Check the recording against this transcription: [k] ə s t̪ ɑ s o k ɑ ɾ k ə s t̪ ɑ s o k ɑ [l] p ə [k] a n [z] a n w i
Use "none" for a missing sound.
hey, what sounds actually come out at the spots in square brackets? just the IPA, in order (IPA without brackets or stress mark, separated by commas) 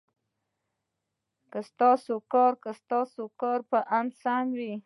k, ɾ, ʔ, s